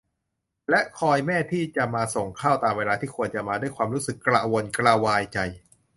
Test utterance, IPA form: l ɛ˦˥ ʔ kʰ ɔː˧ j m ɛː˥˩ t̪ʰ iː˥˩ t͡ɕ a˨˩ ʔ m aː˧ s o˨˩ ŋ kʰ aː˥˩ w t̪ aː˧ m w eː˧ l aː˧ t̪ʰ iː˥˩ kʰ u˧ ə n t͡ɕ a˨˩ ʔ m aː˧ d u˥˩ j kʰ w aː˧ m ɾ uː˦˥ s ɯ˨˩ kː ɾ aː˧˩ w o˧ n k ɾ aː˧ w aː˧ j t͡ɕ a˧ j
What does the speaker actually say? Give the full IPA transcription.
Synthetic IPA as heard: l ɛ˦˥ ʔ kʰ ɔː˧ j m ɛː˥˩ t̪ʰ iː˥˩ t͡ɕ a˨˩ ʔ m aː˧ s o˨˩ ŋ kʰ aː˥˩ w t̪ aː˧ m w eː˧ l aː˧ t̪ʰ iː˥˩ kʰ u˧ ə n t͡ɕ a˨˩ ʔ m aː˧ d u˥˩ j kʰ w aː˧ m ɾ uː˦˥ s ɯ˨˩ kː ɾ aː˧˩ w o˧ n k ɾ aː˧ w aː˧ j t͡ɕ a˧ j